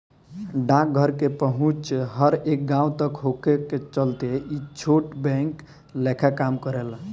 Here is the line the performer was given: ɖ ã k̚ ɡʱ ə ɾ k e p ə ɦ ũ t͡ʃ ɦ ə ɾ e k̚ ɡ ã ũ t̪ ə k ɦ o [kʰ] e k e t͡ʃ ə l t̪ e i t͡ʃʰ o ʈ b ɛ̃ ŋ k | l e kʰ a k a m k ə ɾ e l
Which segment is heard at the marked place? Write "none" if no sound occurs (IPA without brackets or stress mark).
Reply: k